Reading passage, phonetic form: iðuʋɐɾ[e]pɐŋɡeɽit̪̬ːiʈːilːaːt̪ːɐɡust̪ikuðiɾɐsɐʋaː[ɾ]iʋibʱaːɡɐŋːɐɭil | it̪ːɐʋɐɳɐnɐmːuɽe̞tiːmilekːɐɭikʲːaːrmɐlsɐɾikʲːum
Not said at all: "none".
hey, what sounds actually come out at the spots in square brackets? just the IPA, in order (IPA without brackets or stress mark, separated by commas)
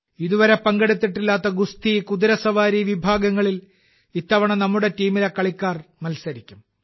e, ɾ